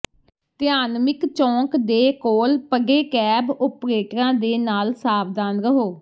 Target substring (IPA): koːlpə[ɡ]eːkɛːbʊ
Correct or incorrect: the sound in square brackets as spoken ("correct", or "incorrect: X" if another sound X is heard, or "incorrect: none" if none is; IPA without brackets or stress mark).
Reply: correct